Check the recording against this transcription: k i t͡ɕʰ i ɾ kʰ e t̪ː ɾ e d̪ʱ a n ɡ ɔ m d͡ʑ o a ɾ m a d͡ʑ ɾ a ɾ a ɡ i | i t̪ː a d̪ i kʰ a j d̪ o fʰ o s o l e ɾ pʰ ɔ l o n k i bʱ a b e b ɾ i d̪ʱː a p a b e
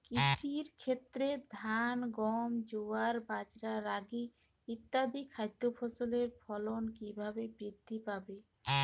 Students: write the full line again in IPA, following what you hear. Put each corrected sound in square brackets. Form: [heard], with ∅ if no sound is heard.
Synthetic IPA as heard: k i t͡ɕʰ i ɾ kʰ e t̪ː ɾ e d̪ʱ a n ɡ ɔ m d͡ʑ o a ɾ [b] a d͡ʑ ɾ a ɾ a ɡ i | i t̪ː a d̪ i kʰ a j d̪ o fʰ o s o l e ɾ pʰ ɔ l o n k i bʱ a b e b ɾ i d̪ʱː [i] p a b e